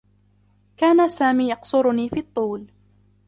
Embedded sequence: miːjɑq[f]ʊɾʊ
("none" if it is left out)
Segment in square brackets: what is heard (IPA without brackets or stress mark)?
s